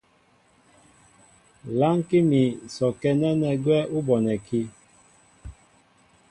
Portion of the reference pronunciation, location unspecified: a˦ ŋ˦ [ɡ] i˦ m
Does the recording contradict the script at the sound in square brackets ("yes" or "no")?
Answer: yes